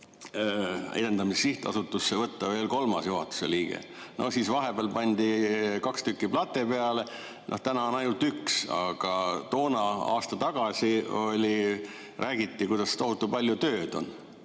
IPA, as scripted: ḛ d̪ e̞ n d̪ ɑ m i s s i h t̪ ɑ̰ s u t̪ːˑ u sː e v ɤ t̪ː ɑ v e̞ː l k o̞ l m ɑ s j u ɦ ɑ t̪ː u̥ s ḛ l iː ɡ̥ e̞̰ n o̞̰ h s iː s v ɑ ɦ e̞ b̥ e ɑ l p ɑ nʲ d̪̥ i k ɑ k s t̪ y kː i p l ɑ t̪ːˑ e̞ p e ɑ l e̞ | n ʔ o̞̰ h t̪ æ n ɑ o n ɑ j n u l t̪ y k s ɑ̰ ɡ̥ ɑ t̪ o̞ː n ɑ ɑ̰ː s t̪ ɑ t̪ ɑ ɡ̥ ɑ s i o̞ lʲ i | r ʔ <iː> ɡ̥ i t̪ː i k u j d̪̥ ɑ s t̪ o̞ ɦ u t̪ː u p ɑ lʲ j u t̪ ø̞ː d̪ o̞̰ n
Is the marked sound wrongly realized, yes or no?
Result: yes